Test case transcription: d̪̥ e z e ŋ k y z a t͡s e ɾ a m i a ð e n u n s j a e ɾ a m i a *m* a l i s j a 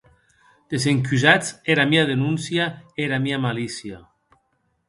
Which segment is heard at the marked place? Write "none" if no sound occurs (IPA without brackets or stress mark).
m